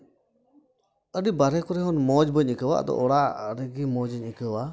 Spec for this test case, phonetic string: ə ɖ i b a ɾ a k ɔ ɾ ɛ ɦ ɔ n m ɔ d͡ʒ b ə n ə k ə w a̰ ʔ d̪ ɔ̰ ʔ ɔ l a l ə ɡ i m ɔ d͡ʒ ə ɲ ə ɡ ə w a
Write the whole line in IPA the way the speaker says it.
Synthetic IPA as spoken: ə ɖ i b a ɾ ɛ k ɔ ɾ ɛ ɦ ɔ n m ɔ d͡ʒ b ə ɲ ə k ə w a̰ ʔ d̪ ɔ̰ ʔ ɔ ɽ a ɾ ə ɡ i m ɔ d͡ʒ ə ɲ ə k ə w a

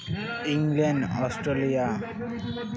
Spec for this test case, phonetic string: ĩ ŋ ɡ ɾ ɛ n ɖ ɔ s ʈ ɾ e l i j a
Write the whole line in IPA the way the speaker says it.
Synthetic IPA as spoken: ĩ ŋ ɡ l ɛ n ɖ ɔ s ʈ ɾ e l i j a

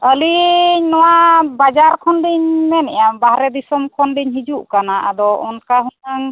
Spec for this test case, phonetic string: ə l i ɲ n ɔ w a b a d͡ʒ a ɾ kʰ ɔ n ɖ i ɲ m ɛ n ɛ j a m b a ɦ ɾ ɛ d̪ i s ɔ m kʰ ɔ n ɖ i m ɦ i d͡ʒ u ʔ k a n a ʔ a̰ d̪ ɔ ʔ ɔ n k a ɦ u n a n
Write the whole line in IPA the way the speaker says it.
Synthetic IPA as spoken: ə l i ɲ n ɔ w a b a d͡ʒ a ɾ kʰ ɔ n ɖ i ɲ m ɛ n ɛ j a m b a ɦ ɾ ɛ d̪ i s ɔ m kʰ ɔ n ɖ i ɲ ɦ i d͡ʒ u ʔ k a n a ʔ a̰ d̪ ɔ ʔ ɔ n k a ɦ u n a ŋ

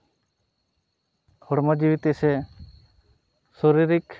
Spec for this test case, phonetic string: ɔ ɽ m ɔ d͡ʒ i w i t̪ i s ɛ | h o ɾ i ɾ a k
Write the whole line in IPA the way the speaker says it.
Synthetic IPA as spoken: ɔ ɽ m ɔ d͡ʒ i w i t̪ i s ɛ | s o ɾ i ɾ i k

